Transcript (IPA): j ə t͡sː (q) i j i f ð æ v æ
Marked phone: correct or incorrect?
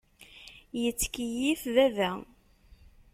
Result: incorrect